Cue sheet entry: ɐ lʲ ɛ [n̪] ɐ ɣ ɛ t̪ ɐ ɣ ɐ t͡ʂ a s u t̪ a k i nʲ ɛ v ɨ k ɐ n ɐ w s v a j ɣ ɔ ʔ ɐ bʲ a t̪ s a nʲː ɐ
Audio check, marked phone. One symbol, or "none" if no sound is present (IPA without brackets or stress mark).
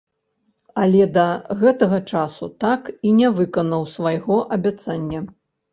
d̪